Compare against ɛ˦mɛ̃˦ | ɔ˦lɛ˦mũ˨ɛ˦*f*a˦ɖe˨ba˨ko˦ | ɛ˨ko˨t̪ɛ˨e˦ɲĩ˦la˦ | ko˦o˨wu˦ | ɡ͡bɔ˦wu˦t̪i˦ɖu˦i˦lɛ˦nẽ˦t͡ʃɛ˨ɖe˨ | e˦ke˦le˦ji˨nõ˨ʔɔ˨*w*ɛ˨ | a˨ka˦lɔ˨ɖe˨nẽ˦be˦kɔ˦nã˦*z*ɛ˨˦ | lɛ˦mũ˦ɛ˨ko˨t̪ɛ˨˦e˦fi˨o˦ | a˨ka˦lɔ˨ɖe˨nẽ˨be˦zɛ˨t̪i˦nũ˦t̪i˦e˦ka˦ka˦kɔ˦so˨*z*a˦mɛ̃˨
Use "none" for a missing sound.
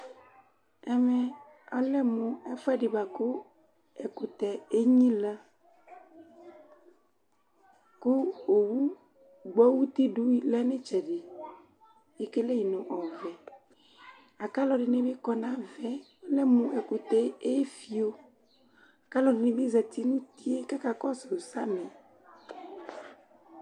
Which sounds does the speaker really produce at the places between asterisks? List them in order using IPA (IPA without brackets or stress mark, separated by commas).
f, v, v, s